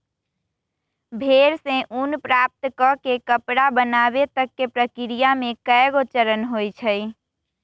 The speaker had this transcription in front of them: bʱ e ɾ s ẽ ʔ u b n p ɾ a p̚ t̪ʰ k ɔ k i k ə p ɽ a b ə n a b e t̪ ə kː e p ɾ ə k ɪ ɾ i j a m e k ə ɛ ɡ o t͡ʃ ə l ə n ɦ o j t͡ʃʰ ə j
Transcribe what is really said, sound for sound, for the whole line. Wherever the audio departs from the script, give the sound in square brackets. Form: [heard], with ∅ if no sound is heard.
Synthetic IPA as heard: bʱ e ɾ s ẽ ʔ u [∅] n p ɾ a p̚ [t̪] k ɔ k [e] k ə p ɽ a b ə n a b e t̪ ə kː e p ɾ ə k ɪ ɾ i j a m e k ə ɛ ɡ o t͡ʃ ə [ɾ] ə n ɦ o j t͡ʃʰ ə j